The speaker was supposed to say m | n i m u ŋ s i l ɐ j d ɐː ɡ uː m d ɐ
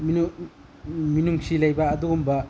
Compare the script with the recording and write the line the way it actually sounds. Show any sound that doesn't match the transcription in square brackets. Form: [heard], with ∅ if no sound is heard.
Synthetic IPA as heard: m | [m] i [n] u ŋ s i l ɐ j [b] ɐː [d] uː m [b] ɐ